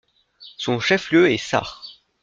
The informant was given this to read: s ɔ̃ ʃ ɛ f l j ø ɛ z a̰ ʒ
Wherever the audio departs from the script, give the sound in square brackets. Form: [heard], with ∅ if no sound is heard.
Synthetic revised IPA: s ɔ̃ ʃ ɛ f l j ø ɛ [s] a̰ [ʁ]